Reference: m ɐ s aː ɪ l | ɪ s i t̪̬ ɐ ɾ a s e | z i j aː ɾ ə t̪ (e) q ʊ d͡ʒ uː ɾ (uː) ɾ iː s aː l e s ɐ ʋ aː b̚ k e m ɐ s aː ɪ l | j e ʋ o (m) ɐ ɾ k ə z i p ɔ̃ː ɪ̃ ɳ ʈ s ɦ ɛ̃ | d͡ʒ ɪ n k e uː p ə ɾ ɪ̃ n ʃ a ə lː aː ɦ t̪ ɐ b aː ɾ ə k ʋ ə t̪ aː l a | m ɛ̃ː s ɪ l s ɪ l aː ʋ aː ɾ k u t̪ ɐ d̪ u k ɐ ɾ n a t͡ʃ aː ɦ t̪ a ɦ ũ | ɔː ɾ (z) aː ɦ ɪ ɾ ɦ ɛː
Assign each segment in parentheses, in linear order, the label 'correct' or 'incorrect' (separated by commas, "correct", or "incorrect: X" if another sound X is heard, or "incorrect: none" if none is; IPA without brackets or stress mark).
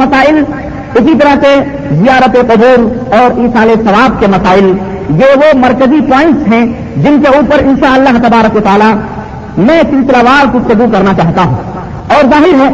correct, incorrect: ɔː, correct, correct